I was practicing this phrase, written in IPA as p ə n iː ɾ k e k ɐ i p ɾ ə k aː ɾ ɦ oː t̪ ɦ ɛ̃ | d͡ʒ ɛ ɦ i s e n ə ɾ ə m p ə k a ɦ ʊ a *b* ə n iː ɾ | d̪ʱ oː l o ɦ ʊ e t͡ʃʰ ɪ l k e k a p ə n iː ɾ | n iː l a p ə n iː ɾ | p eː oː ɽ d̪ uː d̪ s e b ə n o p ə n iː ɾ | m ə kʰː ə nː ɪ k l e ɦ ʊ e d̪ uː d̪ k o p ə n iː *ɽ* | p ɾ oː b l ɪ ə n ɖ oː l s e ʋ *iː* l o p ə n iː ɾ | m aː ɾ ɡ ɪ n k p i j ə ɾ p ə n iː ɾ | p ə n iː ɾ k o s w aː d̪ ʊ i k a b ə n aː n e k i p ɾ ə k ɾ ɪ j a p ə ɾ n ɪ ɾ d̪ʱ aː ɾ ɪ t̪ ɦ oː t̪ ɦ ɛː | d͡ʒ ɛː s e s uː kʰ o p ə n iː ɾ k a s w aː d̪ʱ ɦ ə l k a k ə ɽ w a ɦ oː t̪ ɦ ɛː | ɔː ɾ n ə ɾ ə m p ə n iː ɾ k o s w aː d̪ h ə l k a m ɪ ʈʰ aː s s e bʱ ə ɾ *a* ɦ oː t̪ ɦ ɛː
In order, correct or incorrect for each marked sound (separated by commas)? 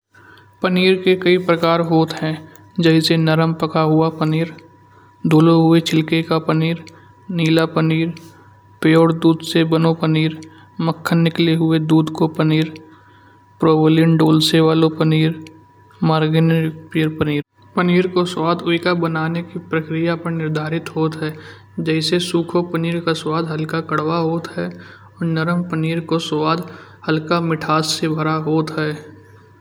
incorrect, incorrect, incorrect, correct